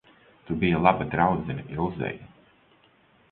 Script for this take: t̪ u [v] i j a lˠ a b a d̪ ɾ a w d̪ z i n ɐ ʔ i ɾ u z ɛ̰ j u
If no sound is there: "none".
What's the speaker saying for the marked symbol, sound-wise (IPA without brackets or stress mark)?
b